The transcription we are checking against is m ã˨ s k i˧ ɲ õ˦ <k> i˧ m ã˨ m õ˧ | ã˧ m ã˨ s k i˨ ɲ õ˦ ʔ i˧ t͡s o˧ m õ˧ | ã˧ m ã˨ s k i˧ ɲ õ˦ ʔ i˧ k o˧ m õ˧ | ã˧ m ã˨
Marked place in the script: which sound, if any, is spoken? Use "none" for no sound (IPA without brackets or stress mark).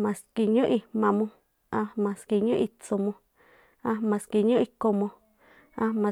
ʔ